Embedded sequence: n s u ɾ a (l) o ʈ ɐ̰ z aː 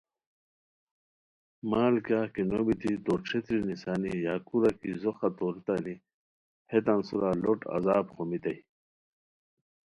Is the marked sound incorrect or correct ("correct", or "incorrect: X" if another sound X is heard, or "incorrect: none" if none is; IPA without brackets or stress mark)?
correct